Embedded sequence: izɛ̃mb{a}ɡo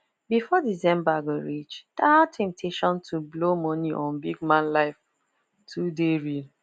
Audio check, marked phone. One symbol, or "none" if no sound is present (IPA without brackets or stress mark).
a